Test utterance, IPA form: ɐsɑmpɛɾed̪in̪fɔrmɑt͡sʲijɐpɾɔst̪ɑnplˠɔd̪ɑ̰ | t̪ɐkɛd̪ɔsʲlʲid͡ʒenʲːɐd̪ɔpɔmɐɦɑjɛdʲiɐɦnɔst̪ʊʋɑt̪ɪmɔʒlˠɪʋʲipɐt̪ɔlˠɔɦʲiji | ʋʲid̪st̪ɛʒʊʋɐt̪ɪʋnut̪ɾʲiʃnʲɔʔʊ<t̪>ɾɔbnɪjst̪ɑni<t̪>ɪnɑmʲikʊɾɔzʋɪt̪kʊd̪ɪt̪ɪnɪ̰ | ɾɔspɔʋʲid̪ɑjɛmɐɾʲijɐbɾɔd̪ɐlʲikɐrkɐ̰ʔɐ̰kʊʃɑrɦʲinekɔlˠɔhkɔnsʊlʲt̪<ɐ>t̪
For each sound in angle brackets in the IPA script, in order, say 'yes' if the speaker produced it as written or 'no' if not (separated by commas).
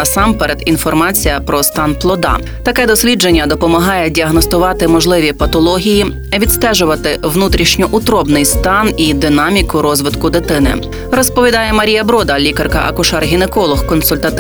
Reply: yes, no, yes